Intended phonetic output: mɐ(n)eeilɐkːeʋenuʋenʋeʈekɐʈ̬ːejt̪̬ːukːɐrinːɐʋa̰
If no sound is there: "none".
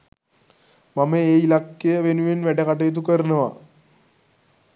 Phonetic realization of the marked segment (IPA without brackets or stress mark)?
m